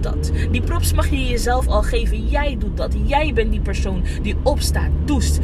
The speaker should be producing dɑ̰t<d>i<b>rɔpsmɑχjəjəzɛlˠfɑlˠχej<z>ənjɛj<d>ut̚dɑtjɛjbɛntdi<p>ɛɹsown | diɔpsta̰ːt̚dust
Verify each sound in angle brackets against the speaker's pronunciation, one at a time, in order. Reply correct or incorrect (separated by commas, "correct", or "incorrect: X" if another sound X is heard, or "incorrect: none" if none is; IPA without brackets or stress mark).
correct, incorrect: p, incorrect: v, correct, correct